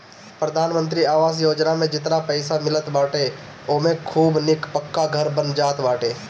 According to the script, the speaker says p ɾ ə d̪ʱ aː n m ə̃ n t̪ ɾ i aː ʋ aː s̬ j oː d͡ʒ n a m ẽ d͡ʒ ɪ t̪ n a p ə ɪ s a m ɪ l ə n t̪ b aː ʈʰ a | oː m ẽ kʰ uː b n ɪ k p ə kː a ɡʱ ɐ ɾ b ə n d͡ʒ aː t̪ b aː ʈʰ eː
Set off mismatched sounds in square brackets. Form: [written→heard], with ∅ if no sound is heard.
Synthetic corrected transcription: p ɾ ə d̪ʱ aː n m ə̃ n t̪ ɾ i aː ʋ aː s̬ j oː d͡ʒ n a m ẽ d͡ʒ ɪ t̪ n a p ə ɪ s a m ɪ l ə [n→∅] t̪ b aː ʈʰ [a→e] | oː m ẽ kʰ uː b n ɪ k p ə kː a ɡʱ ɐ ɾ b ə n d͡ʒ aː t̪ b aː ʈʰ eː